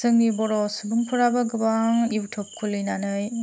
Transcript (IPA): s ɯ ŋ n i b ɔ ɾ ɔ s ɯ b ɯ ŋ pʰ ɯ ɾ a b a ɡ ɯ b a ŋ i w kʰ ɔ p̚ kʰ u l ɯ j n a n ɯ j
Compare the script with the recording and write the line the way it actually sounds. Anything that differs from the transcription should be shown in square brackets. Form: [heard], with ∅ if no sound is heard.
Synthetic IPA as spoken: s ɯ ŋ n i b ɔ ɾ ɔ s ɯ b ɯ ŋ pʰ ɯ ɾ a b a ɡ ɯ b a ŋ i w [tʰ] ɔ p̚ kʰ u l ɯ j n a n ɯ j